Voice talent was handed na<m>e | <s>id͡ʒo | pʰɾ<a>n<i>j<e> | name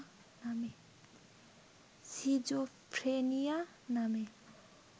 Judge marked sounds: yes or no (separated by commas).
yes, yes, no, yes, no